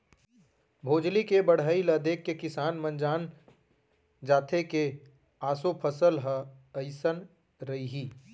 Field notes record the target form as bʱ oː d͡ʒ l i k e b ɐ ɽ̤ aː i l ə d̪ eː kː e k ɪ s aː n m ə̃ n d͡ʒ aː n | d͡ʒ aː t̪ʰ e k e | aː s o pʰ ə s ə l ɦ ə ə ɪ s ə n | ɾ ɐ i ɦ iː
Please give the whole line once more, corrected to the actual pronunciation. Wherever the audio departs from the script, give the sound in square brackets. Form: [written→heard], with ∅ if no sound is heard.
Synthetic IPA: bʱ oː d͡ʒ l i k e b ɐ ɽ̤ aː i l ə d̪ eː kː e k ɪ s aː n m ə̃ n d͡ʒ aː n | d͡ʒ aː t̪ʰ e k e | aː s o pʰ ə s ə l ɦ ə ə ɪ s ə n | ɾ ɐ i ɦ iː